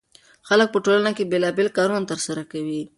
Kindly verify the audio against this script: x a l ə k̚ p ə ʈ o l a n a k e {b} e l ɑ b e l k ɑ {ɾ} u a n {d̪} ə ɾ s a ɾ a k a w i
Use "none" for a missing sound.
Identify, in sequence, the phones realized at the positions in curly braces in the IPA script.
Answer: b, ɾ, t̪

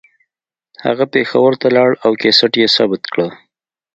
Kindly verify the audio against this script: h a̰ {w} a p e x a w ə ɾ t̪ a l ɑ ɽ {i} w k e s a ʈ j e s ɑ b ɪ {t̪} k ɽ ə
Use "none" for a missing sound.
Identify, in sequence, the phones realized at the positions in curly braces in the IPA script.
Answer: ɣ, a, t̪

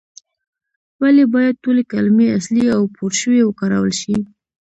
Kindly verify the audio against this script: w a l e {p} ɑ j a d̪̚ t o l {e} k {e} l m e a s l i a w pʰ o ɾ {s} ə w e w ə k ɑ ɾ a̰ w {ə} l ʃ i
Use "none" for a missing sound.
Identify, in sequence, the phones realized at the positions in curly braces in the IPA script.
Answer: b, e, a, ʃ, ə

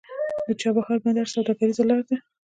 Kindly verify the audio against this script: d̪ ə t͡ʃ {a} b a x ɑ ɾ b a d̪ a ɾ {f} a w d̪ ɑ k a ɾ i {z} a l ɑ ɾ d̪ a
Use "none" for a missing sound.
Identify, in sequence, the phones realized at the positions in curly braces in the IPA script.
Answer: ɑ, s, z

